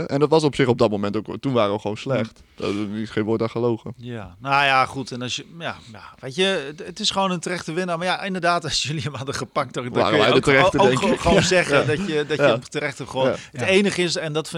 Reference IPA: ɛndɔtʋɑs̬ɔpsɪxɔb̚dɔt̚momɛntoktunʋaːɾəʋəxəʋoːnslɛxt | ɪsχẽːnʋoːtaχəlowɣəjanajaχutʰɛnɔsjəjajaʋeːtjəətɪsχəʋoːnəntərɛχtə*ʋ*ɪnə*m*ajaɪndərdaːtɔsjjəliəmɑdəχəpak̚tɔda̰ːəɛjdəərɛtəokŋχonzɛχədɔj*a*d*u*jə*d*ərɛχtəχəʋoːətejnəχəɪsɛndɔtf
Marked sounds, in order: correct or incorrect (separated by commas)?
correct, correct, incorrect, incorrect, incorrect